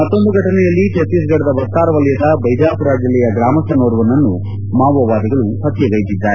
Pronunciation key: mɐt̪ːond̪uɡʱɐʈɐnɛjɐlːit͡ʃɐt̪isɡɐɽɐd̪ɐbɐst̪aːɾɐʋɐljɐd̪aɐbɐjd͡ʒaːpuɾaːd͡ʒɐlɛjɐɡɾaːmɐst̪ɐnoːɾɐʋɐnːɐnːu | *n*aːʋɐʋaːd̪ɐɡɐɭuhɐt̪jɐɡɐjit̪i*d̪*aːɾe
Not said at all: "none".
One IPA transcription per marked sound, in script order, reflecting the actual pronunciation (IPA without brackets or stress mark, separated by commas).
m, d̪ː